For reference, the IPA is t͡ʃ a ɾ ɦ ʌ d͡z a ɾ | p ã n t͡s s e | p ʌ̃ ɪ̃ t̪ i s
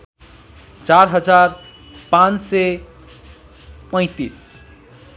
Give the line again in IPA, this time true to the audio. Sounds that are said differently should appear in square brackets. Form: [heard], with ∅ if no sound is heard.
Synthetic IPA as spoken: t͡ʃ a ɾ ɦ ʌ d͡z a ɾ | p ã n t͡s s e | p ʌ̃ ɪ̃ t̪ i s